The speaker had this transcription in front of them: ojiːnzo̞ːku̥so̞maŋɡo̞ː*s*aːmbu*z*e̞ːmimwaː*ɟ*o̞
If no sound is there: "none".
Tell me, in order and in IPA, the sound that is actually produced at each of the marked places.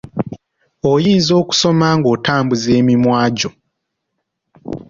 t, z, ɟ

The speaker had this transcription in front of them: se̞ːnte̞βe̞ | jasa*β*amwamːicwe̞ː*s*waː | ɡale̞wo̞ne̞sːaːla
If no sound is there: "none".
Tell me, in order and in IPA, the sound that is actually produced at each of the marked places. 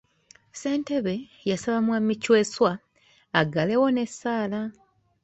β, s

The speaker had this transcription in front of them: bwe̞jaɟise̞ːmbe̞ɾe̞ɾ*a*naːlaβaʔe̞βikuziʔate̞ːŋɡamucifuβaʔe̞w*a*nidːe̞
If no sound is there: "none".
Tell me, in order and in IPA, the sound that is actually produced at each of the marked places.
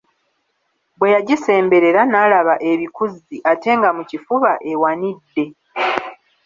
a, a

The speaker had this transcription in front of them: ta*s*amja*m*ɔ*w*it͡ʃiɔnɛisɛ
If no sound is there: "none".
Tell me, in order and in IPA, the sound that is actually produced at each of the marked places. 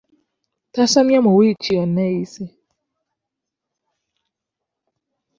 s, m, w

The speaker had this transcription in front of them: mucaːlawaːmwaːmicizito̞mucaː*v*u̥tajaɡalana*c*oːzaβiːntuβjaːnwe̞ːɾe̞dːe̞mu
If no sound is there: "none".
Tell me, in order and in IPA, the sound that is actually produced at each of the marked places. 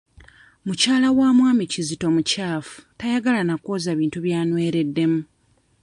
f, k

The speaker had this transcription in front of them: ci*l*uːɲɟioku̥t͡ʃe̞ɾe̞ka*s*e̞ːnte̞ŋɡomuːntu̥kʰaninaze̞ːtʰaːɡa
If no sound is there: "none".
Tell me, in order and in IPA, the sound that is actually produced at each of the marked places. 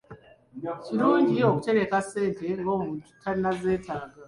ɾ, s

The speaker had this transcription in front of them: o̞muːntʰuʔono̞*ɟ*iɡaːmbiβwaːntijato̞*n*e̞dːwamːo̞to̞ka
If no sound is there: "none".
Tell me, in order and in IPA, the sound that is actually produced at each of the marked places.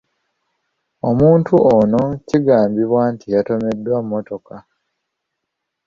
c, m

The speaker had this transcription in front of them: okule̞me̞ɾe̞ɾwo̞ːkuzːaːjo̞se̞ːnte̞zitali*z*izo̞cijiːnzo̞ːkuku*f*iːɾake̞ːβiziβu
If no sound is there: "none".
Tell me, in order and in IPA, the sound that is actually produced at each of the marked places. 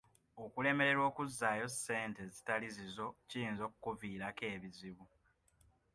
z, v

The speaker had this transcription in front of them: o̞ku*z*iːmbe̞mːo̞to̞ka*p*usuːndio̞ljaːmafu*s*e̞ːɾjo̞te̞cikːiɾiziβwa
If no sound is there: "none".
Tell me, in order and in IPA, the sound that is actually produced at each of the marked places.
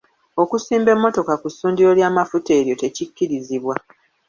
s, k, t

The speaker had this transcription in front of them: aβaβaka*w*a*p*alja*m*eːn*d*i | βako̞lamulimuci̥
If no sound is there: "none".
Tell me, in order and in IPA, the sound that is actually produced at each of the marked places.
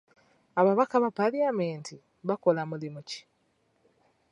β, p, m, t

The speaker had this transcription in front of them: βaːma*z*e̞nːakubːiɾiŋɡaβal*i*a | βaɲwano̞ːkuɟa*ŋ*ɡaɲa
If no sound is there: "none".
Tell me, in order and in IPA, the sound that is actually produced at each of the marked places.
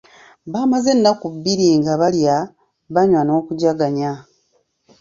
z, j, none

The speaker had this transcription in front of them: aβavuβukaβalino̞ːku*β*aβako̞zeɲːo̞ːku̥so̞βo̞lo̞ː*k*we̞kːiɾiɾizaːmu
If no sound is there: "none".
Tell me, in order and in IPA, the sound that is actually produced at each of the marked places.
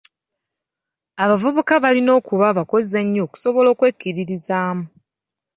β, k

